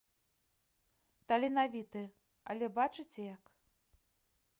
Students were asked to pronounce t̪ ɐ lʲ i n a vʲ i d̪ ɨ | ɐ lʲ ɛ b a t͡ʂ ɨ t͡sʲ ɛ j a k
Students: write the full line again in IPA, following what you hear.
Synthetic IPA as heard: t̪ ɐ lʲ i n a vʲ i t̪ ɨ | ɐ lʲ ɛ b a t͡ʂ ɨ t͡sʲ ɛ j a k